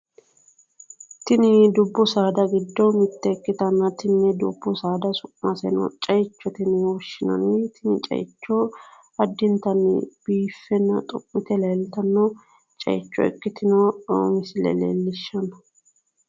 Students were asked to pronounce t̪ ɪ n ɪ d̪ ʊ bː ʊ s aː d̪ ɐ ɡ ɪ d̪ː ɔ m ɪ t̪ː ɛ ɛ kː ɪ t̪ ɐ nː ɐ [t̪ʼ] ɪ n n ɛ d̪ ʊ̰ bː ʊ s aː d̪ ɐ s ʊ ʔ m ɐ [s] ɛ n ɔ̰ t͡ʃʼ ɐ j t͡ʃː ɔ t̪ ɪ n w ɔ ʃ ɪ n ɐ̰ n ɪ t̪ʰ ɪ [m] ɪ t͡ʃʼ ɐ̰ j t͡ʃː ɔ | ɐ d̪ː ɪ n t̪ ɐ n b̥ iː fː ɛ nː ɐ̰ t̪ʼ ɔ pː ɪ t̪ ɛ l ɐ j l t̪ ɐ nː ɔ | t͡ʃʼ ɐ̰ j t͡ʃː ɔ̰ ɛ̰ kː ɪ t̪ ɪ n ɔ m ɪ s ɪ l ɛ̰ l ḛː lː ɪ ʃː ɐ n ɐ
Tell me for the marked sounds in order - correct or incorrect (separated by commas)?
incorrect, correct, incorrect